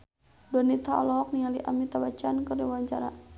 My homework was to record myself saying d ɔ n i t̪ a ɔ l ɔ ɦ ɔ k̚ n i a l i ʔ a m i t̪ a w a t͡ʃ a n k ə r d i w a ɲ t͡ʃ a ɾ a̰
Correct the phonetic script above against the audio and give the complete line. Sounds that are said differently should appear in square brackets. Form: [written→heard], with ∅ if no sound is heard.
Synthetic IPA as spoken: d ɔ n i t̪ a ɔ l ɔ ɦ ɔ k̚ n i a l i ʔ a m i t̪ a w a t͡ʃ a n k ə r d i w a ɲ t͡ʃ a ɾ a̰